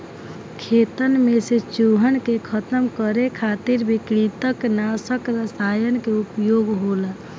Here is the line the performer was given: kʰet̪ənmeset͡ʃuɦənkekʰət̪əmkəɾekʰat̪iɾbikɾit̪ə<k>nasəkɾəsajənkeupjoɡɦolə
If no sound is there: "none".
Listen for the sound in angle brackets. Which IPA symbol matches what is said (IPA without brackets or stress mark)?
k